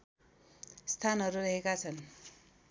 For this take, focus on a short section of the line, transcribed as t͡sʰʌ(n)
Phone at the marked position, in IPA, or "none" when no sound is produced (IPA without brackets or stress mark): n